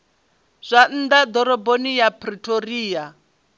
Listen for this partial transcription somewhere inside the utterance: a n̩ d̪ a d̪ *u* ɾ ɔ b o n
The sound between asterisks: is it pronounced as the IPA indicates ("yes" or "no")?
no